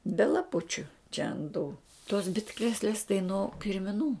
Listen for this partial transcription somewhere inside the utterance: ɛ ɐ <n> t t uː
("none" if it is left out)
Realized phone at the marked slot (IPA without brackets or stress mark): n